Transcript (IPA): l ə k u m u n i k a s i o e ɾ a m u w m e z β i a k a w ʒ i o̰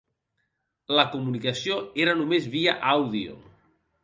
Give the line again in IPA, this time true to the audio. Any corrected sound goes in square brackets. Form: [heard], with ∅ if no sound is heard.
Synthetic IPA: l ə k u m u n i k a s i o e ɾ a [n] u [∅] m e z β i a [ʔ] a w [ð] i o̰